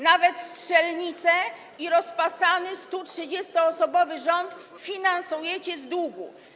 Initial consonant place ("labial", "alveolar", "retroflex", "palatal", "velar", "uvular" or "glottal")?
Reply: alveolar